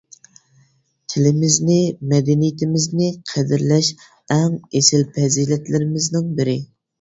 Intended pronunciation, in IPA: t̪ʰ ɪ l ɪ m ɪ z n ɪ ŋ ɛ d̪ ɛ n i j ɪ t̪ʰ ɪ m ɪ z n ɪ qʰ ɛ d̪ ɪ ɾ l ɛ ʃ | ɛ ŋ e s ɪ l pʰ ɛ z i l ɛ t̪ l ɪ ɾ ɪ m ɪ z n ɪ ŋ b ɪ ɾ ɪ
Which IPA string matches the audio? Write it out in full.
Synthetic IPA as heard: t̪ʰ ɪ l ɪ m ɪ z n ɪ m ɛ d̪ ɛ n i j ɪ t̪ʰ ɪ m ɪ z n ɪ qʰ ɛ d̪ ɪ ɾ l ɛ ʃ | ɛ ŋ e s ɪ l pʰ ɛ z i l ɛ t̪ l ɪ ɾ ɪ m ɪ z n ɪ ŋ b ɪ ɾ ɪ